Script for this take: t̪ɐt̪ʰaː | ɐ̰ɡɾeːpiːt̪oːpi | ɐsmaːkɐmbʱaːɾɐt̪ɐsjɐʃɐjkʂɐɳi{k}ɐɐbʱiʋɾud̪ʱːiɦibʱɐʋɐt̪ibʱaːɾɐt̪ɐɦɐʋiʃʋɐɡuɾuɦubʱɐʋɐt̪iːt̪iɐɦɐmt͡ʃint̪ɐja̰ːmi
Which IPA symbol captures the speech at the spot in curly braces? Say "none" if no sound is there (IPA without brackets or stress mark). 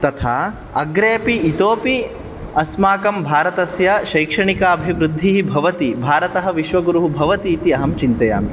k